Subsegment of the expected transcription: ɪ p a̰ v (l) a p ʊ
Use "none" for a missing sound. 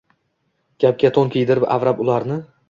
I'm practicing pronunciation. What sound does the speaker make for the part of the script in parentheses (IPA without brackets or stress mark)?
ɾ